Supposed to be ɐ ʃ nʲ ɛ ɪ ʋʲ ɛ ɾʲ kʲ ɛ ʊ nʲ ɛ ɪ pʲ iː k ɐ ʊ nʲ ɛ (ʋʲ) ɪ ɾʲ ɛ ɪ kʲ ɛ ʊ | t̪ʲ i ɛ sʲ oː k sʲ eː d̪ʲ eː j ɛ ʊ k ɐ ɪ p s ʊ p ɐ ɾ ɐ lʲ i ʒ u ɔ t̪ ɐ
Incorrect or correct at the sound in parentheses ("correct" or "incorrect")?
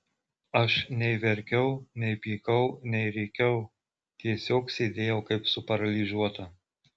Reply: incorrect